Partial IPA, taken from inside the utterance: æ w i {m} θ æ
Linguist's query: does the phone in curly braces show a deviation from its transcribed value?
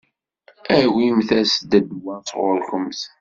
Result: no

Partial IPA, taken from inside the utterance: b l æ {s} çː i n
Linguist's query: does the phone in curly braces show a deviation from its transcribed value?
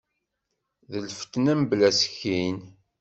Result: no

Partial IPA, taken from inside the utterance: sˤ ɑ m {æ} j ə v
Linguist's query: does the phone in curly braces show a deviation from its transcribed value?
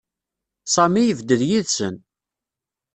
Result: yes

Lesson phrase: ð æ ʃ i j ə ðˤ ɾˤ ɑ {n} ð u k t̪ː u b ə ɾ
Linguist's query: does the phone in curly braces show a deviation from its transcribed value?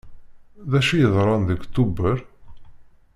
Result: no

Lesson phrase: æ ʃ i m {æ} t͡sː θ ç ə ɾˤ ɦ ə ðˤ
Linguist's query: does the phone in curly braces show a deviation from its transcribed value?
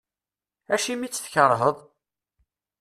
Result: yes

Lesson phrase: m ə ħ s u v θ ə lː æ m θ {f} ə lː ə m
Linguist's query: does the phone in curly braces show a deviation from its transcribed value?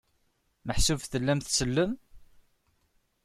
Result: yes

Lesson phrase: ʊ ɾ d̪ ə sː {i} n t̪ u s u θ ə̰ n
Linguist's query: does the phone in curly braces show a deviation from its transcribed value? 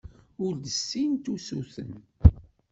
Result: no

